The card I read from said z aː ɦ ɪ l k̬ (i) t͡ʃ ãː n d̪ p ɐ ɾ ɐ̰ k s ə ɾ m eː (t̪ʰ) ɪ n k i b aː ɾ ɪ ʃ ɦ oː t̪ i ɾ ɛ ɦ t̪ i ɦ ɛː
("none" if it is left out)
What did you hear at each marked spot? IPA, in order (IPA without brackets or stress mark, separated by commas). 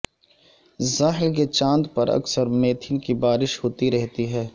e, t̪ʰ